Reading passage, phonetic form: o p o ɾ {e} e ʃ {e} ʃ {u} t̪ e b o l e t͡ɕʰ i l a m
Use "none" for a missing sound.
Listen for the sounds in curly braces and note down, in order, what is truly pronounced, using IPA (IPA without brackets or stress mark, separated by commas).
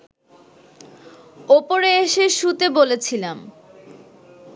e, e, u